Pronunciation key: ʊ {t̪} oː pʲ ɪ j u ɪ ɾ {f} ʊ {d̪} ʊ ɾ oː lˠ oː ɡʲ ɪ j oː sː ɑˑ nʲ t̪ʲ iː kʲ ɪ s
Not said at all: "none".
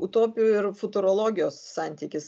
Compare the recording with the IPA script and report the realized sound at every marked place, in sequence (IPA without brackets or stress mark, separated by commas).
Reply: t̪, f, t̪